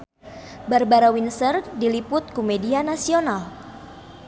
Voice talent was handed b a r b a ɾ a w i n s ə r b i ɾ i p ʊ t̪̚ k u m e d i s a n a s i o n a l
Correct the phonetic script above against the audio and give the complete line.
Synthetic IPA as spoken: b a r b a ɾ a w i n s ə r d i l i p ʊ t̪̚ k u m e d i a n a s i o n a l

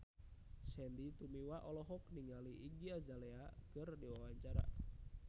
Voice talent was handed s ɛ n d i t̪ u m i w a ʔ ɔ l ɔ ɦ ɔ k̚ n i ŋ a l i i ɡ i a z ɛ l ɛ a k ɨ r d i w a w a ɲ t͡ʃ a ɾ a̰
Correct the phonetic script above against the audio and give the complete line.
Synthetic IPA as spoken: s ɛ n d i t̪ u m i w a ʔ ɔ l ɔ ɦ ɔ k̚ n i ŋ a l i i ɡ i a z a l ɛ a k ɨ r d i w a w a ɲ t͡ʃ a ɾ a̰

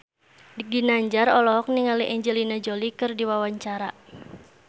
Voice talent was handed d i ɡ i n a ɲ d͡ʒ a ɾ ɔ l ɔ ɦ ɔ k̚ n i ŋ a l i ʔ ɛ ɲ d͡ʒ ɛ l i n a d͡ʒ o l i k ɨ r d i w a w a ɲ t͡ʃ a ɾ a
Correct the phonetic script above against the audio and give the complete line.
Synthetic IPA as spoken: d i ɡ i n a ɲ d͡ʒ a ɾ ɔ l ɔ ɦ ɔ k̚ n i ŋ a l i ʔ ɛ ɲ d͡ʒ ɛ l i n a d͡ʒ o l i k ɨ r d i w a w a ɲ t͡ʃ a ɾ a

